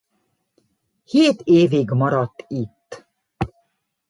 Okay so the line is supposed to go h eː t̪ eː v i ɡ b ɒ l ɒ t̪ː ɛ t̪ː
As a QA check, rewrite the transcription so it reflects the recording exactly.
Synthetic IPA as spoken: h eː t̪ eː v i ɡ m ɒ ɾ ɒ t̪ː i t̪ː